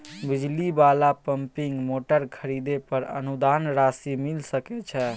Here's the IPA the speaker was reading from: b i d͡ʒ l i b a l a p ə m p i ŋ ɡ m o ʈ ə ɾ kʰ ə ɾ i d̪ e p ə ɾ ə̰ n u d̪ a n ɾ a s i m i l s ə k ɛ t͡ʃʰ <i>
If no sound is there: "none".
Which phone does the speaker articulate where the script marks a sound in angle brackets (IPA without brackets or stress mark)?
ɛ